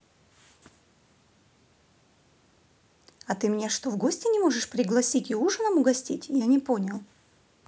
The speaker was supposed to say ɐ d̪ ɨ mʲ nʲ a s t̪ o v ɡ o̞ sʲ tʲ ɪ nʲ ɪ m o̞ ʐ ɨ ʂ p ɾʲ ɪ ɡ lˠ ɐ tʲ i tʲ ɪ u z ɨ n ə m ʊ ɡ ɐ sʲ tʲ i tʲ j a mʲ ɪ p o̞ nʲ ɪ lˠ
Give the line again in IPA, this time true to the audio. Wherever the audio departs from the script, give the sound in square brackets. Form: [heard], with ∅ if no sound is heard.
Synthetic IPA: ɐ [t̪] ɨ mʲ nʲ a [ʂ] t̪ o v ɡ o̞ sʲ tʲ ɪ nʲ ɪ m o̞ ʐ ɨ ʂ p ɾʲ ɪ ɡ lˠ ɐ [sʲ] i tʲ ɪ u [ʐ] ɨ n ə m ʊ ɡ ɐ sʲ tʲ i tʲ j a [nʲ] ɪ p o̞ nʲ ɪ lˠ

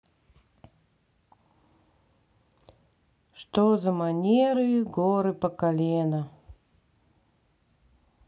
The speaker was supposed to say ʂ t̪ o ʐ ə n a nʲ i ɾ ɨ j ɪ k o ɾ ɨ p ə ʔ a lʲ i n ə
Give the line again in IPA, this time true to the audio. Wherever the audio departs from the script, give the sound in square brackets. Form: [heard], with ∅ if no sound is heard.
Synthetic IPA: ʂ t̪ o [z] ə [m] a nʲ [e] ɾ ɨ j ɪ [ɡ] o ɾ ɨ p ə [k] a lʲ [e] n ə

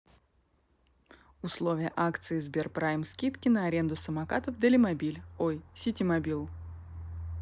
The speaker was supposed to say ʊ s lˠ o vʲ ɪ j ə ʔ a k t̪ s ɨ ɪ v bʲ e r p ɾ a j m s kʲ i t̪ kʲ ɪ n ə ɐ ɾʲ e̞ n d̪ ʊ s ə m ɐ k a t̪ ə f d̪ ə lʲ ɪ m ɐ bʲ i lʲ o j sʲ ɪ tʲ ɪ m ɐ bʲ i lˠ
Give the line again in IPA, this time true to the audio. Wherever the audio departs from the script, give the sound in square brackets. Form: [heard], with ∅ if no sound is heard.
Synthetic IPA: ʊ s lˠ o vʲ ɪ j ə ʔ a k t̪ s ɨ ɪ [z] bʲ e r p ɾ a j m s kʲ i t̪ kʲ ɪ n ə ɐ ɾʲ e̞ n d̪ ʊ s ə m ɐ k a t̪ ə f d̪ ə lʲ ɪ m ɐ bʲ i lʲ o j sʲ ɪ tʲ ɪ m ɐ bʲ i lˠ

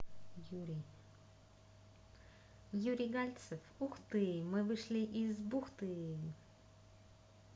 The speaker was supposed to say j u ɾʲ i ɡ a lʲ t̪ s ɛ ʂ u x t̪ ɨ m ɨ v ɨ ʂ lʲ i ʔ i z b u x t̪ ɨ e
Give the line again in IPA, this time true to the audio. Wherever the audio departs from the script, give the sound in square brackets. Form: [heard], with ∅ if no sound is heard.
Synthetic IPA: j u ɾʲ i ɡ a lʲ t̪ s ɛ [f] u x t̪ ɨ m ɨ v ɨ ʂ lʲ i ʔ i z b u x t̪ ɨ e

